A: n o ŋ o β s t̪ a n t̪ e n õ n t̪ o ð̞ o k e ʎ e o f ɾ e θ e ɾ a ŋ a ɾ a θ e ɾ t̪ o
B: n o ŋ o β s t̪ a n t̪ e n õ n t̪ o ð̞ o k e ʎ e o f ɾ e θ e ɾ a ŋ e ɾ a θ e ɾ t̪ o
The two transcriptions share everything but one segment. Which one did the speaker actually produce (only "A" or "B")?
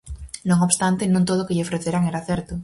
B